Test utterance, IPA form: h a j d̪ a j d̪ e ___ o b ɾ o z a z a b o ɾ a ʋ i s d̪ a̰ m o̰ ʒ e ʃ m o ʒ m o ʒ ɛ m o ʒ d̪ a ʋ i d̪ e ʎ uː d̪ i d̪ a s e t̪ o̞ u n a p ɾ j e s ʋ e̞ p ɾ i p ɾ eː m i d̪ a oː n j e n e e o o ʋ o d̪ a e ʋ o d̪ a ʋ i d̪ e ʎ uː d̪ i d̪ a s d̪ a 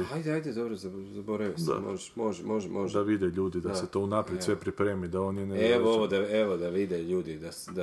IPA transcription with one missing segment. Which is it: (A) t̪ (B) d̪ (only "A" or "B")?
B